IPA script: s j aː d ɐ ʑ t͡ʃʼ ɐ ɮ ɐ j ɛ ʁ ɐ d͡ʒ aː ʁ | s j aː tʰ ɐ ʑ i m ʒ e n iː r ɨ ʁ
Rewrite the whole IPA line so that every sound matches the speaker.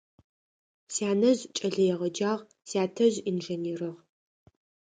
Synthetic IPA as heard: s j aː n ɐ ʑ t͡ʃʼ ɐ ɮ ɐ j ɛ ʁ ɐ d͡ʒ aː ʁ | s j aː tʰ ɐ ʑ i n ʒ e n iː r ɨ ʁ